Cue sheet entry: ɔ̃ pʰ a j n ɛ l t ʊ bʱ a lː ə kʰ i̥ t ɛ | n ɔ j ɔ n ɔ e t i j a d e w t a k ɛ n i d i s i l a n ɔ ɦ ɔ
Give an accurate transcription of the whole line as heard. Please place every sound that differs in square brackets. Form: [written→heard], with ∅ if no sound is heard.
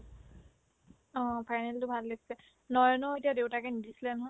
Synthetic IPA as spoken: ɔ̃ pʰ a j n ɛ l t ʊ bʱ a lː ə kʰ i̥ [t→s] ɛ | n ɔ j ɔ n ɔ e t i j a d e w t a k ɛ n i d i s i l [a→ɛ] n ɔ ɦ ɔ